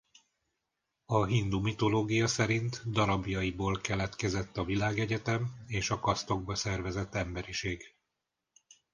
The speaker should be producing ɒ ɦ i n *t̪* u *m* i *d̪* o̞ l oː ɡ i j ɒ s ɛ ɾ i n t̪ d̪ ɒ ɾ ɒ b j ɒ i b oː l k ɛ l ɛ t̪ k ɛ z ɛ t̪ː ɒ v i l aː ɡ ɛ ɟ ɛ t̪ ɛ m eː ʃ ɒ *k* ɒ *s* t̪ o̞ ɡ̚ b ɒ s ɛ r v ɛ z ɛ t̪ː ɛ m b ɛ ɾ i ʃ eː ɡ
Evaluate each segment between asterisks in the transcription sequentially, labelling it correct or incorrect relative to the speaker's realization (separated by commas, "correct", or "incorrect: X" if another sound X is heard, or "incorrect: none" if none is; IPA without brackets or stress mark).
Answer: incorrect: d̪, correct, incorrect: t̪, correct, correct